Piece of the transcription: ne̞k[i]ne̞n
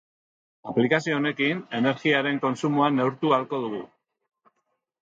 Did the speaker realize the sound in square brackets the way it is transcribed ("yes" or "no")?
yes